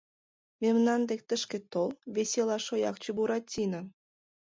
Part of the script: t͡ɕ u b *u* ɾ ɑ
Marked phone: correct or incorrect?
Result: correct